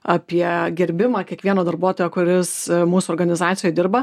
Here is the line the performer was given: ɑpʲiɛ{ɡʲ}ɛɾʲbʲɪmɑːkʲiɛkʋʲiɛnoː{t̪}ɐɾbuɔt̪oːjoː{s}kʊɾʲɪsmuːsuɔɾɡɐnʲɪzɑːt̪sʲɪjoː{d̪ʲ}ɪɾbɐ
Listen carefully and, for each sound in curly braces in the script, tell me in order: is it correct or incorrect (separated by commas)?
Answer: correct, incorrect, incorrect, correct